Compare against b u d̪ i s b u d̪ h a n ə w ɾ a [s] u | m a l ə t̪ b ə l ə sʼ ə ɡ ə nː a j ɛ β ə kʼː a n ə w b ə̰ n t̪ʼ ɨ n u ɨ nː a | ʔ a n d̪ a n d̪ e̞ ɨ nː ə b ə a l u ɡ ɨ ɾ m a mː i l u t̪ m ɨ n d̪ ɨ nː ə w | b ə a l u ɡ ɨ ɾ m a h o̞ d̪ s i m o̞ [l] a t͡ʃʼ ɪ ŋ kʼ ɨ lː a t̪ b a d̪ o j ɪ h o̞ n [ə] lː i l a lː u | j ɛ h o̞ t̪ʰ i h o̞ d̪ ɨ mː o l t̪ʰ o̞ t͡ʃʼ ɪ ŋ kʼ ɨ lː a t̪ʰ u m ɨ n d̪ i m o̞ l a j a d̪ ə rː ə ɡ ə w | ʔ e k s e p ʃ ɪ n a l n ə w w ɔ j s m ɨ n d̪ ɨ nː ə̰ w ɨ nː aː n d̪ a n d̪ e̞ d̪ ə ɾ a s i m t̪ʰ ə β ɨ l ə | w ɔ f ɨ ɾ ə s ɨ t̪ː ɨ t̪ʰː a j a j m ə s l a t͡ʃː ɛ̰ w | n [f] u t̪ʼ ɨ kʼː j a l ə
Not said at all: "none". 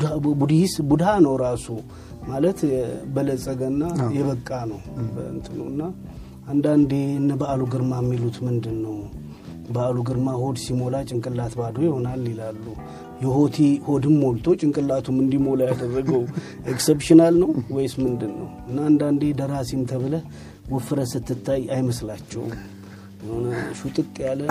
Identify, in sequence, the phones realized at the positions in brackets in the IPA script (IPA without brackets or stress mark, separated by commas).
s, l, a, ʃ